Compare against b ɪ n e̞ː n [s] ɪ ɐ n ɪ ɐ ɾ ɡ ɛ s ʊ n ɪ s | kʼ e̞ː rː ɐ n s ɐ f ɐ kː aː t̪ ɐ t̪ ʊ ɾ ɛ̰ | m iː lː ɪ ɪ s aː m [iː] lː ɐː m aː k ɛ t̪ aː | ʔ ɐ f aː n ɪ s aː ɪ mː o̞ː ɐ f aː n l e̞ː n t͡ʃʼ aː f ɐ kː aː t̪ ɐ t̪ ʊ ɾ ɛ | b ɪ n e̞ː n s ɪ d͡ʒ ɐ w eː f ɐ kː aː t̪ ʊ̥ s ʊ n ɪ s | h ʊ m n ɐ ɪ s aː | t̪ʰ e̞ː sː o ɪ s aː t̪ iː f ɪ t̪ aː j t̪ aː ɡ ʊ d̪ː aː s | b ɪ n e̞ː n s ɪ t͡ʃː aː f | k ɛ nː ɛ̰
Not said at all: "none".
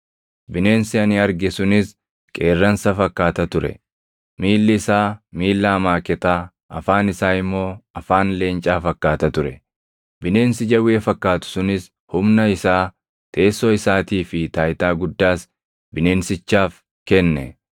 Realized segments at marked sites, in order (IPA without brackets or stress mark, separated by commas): s, iː